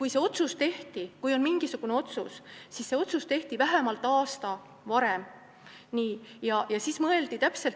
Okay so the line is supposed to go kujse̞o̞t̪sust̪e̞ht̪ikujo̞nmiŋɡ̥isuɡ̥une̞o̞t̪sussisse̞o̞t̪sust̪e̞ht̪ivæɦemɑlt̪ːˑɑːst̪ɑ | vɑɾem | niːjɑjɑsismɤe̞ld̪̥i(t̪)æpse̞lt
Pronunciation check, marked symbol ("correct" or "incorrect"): correct